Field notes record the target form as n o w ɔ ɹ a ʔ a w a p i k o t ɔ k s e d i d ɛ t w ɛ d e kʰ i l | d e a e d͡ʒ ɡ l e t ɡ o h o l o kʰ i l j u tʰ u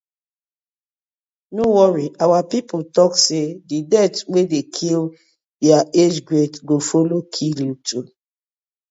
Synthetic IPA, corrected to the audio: n o w ɔ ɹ i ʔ a w a p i p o t ɔ k s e d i d ɛ t w e d e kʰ i l | d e a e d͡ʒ ɡ ɹ e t ɡ o f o l o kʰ i l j u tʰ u